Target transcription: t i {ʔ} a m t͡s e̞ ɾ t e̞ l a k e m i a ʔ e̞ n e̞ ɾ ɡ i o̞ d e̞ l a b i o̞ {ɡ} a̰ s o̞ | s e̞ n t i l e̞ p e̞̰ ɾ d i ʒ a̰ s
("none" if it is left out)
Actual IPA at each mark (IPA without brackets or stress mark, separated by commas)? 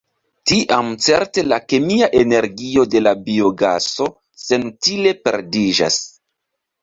ʔ, ɡ